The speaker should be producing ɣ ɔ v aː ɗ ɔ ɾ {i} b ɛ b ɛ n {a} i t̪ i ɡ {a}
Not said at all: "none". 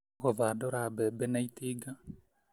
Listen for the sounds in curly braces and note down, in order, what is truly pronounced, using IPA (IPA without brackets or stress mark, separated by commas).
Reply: a, a, a